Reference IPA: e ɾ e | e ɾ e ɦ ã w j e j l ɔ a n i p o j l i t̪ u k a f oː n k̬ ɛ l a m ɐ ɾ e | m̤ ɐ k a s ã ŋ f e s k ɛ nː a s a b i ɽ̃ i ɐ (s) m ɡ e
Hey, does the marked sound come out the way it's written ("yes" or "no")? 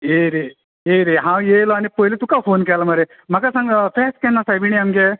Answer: no